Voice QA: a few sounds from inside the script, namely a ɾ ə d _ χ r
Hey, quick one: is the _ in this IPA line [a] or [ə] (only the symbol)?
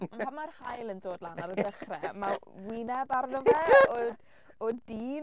ə